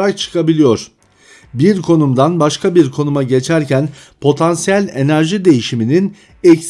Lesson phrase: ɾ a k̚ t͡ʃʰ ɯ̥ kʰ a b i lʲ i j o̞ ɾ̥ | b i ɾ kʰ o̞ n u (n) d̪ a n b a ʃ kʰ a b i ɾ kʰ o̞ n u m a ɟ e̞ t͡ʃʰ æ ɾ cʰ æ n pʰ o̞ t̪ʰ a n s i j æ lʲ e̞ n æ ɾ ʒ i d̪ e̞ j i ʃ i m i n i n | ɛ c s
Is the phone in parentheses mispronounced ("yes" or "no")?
yes